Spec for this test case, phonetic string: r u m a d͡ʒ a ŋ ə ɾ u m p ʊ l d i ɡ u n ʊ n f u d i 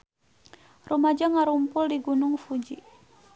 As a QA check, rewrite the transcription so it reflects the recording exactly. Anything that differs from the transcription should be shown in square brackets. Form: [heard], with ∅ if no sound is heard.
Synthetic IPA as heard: r u m a d͡ʒ a ŋ [a] ɾ u m p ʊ l d i ɡ u n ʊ [ŋ] f u [d͡ʒ] i